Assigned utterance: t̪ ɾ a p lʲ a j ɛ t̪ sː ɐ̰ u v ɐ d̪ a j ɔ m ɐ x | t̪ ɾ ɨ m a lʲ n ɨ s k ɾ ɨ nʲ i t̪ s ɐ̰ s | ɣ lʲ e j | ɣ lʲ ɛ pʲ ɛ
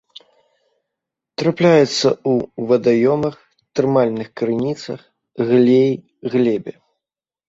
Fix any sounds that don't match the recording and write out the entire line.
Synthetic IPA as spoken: t̪ ɾ a p lʲ a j ɛ t̪ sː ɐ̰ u v ɐ d̪ a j ɔ m ɐ x | t̪ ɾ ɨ m a lʲ n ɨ x k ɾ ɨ nʲ i t̪ s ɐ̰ x | ɣ lʲ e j | ɣ lʲ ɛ bʲ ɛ